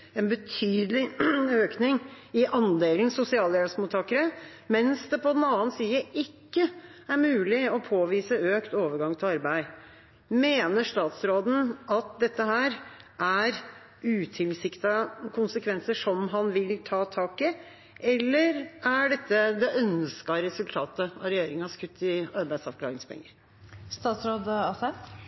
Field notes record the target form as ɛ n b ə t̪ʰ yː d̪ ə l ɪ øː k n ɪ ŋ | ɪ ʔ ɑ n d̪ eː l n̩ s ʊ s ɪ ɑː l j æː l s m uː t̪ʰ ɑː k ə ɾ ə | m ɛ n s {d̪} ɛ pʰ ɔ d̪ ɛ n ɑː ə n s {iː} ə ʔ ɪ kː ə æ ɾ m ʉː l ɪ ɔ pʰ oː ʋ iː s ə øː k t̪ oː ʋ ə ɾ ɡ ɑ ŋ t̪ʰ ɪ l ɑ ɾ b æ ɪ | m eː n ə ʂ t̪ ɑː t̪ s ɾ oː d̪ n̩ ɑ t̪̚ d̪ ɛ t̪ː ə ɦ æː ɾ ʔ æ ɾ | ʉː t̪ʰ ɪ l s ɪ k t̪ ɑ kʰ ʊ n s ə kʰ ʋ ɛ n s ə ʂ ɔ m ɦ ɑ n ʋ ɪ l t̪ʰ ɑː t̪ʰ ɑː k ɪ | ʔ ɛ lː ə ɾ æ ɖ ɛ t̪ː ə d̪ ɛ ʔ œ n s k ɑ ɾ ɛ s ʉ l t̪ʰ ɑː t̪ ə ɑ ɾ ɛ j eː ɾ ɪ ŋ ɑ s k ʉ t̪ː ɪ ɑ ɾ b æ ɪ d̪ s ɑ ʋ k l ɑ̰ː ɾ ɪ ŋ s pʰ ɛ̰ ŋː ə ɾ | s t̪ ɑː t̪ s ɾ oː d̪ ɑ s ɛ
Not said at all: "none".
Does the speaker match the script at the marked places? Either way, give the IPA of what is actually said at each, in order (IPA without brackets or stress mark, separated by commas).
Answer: d̪, iː